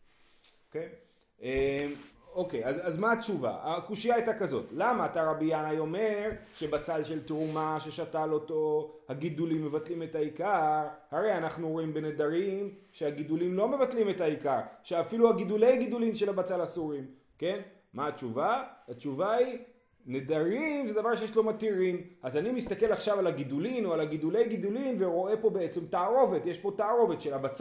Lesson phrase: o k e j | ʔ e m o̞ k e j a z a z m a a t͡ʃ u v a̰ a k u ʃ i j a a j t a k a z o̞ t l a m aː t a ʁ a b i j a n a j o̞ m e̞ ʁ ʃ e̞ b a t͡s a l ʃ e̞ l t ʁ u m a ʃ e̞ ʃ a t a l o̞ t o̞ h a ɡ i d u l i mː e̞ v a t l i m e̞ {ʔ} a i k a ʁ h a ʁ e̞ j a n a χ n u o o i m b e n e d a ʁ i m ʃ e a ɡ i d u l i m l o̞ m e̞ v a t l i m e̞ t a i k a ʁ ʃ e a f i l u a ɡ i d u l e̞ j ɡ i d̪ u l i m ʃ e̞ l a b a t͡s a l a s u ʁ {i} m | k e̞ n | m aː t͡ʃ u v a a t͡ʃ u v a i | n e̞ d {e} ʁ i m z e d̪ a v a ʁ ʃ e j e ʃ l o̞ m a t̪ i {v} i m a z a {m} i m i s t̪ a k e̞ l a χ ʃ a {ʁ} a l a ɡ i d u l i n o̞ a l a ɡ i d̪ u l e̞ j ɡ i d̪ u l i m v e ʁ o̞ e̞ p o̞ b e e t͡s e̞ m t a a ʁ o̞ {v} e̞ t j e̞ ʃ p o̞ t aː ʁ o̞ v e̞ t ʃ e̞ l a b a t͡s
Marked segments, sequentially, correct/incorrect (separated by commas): incorrect, correct, incorrect, incorrect, incorrect, incorrect, correct